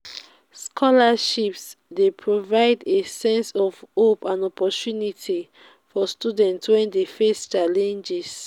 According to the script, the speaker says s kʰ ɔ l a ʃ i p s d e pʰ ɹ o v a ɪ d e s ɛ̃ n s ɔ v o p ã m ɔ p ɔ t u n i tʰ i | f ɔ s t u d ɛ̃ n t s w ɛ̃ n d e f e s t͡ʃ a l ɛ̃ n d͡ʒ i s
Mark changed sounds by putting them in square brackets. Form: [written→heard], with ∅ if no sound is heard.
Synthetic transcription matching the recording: s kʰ ɔ l a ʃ i p s d e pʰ ɹ o v a ɪ d e s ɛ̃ n s ɔ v o p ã [m→n] ɔ p ɔ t u n i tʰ i | f ɔ s t u d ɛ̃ n t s w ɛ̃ n d e f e s t͡ʃ a l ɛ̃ n d͡ʒ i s